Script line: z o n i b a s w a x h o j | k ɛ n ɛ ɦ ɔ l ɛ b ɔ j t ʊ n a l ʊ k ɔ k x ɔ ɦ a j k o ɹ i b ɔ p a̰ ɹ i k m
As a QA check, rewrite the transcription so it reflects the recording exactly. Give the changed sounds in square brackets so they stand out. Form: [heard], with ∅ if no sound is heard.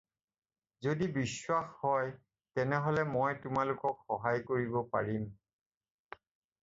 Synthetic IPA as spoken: z o [d] i b [i] s w a x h [ɔ] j | [t] ɛ n ɛ ɦ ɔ l ɛ [m] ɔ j t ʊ [m] a l ʊ k ɔ k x ɔ ɦ a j k o ɹ i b ɔ p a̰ ɹ i [∅] m